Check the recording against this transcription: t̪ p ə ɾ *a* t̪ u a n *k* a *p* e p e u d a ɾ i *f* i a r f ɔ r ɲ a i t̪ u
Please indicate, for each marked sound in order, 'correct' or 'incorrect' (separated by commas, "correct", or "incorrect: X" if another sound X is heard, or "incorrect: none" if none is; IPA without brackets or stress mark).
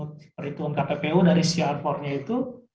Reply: incorrect: i, correct, correct, incorrect: s